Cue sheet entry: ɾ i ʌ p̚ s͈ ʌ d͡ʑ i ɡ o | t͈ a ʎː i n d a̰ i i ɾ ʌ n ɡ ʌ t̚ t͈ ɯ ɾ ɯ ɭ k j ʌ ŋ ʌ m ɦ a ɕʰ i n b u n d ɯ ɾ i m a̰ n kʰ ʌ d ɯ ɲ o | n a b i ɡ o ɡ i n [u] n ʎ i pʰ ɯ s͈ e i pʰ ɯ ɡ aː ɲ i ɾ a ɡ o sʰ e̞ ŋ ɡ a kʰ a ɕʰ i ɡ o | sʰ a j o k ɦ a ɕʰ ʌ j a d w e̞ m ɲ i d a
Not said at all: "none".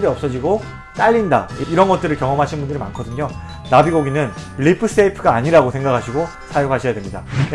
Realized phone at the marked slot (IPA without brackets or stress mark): ɯ